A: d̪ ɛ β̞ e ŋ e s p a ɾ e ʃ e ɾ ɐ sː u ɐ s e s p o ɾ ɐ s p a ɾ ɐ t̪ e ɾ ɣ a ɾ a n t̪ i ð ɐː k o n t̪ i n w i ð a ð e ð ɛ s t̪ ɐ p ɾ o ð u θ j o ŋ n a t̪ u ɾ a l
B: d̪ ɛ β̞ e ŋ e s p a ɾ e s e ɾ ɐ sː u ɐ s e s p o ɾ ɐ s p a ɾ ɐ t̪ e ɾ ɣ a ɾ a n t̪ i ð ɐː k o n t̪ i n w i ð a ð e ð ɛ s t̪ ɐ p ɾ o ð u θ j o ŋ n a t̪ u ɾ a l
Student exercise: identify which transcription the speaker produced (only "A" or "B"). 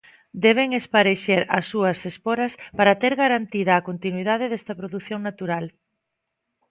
A